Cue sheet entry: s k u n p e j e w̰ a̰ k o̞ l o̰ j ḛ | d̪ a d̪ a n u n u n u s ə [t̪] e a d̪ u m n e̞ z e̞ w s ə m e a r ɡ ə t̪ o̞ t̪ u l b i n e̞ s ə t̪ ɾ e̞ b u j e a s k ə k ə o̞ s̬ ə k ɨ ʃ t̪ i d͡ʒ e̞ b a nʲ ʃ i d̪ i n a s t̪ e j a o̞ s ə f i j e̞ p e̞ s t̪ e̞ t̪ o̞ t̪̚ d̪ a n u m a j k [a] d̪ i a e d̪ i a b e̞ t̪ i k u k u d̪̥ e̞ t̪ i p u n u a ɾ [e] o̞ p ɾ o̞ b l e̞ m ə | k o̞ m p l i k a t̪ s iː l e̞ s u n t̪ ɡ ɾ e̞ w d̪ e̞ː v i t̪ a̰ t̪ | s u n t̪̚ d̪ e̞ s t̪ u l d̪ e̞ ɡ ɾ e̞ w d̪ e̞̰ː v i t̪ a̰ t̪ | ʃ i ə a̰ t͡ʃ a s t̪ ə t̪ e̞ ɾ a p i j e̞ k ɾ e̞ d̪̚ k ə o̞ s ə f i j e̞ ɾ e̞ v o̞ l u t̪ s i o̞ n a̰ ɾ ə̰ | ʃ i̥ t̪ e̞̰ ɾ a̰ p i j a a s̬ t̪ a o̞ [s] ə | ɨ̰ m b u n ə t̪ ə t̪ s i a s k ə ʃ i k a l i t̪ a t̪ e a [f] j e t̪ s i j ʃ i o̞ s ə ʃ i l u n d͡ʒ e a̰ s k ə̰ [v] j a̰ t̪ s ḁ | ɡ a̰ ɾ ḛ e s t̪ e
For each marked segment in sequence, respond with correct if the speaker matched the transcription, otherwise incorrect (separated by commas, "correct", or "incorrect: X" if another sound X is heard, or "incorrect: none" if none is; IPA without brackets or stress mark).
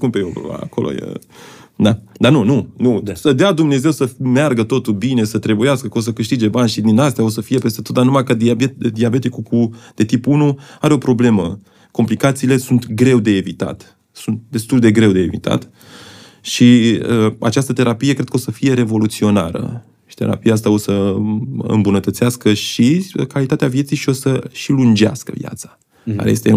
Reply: incorrect: d̪, incorrect: ə, correct, correct, incorrect: v, correct